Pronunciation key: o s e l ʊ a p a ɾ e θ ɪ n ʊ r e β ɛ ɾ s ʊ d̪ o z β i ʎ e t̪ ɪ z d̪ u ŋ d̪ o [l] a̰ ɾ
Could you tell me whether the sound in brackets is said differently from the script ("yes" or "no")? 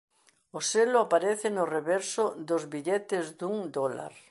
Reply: no